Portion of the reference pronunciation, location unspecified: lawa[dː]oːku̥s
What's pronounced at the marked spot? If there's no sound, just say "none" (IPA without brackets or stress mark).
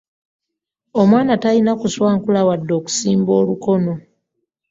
dː